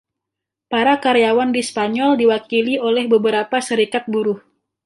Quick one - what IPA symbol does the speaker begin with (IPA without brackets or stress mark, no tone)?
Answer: p